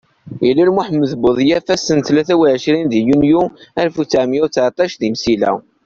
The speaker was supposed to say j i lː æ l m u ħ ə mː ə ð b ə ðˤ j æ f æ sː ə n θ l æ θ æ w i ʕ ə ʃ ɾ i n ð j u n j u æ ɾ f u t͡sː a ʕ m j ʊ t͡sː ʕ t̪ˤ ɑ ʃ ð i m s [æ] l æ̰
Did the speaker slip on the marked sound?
yes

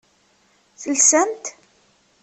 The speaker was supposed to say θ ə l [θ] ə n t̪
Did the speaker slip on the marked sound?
yes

